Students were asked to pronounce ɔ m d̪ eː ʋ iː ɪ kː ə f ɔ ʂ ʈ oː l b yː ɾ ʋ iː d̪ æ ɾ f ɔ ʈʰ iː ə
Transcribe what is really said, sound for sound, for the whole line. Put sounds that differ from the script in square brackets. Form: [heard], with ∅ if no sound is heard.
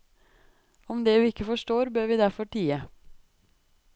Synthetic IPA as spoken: ɔ m d̪ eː ʋ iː ɪ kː ə f ɔ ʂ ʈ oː [ɾ] b [øː] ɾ ʋ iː d̪ æ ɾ f ɔ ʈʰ iː ə